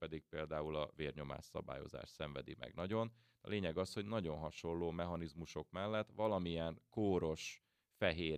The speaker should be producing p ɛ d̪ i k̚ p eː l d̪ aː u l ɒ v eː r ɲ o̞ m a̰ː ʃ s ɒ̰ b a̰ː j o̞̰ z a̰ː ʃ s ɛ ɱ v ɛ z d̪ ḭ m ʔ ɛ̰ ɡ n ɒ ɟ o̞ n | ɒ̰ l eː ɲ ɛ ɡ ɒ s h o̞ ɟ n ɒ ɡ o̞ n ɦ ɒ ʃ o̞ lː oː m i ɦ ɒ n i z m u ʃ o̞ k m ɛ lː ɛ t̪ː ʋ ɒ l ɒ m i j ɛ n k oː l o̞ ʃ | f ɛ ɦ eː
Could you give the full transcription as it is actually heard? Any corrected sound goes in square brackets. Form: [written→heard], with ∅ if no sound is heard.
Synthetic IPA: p ɛ d̪ i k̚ p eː l d̪ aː u l ɒ v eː r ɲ o̞ m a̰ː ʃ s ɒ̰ b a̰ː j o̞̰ z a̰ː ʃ s ɛ ɱ v ɛ [z→∅] d̪ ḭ m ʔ ɛ̰ ɡ n ɒ ɟ o̞ n | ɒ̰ l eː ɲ ɛ ɡ ɒ s h o̞ ɟ n ɒ [ɡ→ɟ] o̞ n ɦ ɒ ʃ o̞ lː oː m [i→ɛ] ɦ ɒ n i z m u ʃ o̞ k m ɛ lː ɛ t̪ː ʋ ɒ l ɒ m i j ɛ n k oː [l→ɾ] o̞ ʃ | f ɛ ɦ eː